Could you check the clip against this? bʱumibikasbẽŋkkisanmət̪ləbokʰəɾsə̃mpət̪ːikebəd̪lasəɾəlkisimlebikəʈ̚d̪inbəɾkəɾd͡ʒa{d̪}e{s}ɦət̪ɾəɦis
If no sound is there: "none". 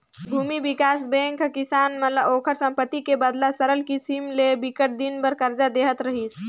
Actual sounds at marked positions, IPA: d̪, none

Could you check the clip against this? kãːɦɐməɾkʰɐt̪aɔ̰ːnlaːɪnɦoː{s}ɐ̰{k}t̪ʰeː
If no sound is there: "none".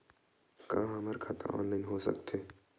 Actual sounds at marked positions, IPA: s, k

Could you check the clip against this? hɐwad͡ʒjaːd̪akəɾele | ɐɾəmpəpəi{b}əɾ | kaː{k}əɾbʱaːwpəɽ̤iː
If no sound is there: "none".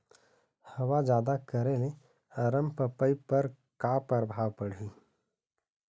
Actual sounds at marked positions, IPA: p, p

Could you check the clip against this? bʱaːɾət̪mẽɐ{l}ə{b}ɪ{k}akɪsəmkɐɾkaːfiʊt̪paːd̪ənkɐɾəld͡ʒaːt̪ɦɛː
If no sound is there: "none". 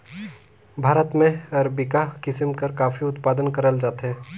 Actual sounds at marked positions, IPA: ɾ, b, k

